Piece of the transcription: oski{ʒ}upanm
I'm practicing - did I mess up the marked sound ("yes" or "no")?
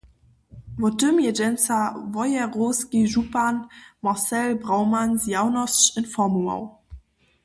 no